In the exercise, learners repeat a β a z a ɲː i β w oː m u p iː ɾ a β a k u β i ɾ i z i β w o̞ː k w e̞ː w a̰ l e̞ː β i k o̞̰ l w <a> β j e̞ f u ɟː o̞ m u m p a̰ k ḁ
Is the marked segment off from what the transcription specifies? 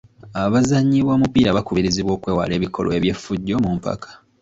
yes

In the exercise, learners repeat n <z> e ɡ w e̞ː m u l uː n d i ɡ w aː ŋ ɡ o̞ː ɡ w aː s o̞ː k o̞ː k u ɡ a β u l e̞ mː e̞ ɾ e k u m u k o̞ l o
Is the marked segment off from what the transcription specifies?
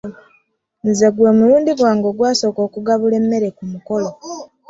no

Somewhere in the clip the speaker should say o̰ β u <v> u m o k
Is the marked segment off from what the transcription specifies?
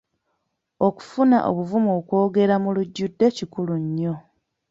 no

